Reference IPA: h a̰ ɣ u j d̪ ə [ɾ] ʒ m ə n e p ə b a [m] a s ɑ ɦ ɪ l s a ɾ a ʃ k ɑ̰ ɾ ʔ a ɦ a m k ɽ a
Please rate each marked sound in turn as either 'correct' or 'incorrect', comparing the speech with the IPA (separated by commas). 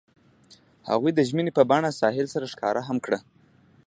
incorrect, incorrect